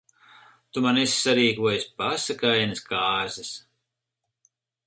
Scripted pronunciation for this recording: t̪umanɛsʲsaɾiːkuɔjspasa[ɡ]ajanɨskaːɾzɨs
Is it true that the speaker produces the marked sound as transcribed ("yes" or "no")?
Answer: no